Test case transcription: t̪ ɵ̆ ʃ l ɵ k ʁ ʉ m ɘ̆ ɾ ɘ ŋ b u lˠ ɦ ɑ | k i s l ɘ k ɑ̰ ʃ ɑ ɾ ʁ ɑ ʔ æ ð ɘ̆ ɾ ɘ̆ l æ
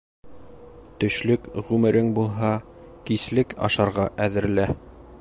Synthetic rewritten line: t̪ ɵ̆ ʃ l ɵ k ʁ ʉ m ɘ̆ ɾ ɘ ŋ b u lˠ ɦ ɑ | k i s l ɘ k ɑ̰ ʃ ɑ ɾ ʁ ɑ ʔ æ ð ɘ̆ ɾ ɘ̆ l æ

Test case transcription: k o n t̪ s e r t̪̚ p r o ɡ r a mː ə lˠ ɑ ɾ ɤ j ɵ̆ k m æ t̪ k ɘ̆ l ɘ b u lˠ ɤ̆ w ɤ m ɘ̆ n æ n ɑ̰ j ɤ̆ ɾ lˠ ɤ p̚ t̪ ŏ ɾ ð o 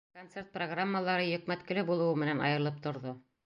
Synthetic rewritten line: k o n t̪ s e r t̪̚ p r o ɡ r a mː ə lˠ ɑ ɾ ɤ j ɵ̆ k m æ t̪ k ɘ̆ l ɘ b u lˠ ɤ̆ w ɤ m ɘ̆ n æ n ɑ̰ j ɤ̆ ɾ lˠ ɤ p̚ t̪ ŏ ɾ ð o

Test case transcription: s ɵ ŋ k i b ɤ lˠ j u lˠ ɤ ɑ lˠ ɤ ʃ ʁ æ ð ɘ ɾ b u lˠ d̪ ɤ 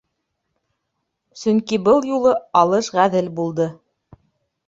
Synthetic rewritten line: s ɵ ŋ k i b ɤ lˠ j u lˠ ɤ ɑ lˠ ɤ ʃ ʁ æ ð ɘ l b u lˠ d̪ ɤ

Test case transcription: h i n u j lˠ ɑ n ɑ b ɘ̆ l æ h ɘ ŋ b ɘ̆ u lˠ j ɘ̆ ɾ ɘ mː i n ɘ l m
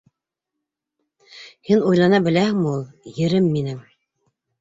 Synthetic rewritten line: h i n u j lˠ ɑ n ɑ b ɘ̆ l æ h ɘ ŋ m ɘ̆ u lˠ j ɘ̆ ɾ ɘ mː i n ɘ m

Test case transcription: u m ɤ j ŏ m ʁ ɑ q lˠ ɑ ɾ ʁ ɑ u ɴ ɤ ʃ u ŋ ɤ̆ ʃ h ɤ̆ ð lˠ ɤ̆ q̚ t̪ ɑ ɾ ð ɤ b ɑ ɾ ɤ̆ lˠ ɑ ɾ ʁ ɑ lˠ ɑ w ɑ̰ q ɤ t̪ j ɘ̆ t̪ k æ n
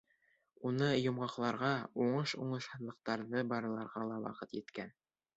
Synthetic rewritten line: u n ɤ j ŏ m ʁ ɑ q lˠ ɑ ɾ ʁ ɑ u ɴ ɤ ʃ u ɴ ɤ̆ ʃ h ɤ̆ ð lˠ ɤ̆ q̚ t̪ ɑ ɾ ð ɤ b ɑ ɾ ɤ̆ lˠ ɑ ɾ ʁ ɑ lˠ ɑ w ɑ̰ q ɤ t̪ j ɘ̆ t̪ k æ n

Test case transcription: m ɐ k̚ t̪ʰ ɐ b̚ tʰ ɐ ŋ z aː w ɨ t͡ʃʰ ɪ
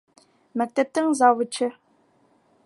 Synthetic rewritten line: m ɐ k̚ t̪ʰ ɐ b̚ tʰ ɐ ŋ z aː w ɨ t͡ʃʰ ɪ

